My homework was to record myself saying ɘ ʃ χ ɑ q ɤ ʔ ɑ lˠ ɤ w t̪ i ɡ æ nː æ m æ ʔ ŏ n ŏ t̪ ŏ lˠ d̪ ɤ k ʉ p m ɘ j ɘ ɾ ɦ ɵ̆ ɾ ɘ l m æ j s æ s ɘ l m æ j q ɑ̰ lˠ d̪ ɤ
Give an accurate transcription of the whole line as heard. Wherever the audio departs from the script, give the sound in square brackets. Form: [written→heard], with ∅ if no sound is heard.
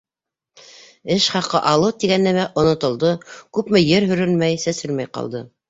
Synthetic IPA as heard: ɘ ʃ χ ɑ q ɤ ʔ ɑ lˠ ɤ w t̪ i ɡ æ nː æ m æ ʔ ŏ n ŏ t̪ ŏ lˠ d̪ ɤ k ʉ p m ɘ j ɘ ɾ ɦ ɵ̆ ɾ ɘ l m æ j s æ s ɘ l m æ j q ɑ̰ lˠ d̪ ɤ